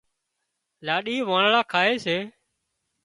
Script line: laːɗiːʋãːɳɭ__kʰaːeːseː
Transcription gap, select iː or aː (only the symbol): aː